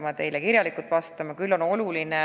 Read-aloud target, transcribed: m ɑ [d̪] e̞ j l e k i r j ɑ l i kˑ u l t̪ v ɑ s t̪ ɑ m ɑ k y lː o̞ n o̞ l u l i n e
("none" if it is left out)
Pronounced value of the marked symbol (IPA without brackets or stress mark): t̪